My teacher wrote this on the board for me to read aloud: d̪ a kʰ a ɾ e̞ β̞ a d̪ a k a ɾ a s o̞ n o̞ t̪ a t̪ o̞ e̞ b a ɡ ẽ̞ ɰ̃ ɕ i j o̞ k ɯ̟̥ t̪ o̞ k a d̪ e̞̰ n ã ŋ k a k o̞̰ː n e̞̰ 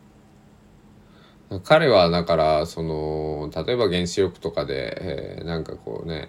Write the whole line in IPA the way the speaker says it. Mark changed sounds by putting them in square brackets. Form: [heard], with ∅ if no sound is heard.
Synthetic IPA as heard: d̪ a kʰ a ɾ e̞ β̞ a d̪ a k a ɾ a s o̞ n o̞ t̪ a t̪ o̞ e̞ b a ɡ ẽ̞ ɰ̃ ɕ i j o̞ k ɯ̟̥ t̪ o̞ k a d̪ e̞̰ n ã ŋ k a k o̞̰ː n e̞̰